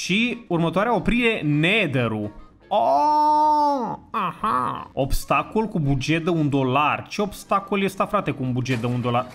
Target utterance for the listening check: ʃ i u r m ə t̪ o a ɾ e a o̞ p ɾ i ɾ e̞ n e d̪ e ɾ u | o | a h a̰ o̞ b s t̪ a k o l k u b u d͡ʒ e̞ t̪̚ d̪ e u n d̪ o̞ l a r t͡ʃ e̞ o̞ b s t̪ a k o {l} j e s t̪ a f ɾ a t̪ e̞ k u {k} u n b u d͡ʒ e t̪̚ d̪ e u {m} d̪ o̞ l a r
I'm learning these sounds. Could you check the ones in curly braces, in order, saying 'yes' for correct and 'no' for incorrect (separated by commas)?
yes, no, no